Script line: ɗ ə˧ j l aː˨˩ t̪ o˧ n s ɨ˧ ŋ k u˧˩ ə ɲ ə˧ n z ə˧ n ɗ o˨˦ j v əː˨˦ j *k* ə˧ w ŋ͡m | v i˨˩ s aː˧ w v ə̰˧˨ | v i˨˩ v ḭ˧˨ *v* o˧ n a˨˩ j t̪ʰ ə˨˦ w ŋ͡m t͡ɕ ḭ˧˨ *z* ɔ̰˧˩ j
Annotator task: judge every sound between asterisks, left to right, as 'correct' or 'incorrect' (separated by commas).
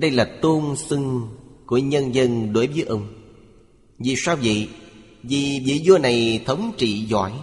incorrect, incorrect, correct